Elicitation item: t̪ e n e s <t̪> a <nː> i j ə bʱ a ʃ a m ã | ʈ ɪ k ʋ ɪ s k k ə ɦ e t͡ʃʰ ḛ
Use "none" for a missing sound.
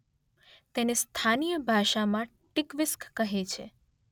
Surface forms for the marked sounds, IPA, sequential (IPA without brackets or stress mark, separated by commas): t̪ʰ, n